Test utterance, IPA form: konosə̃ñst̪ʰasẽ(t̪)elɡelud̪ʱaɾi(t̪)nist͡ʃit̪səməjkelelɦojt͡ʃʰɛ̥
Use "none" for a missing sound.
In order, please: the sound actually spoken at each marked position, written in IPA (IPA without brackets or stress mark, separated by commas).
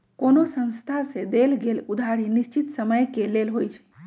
d̪, none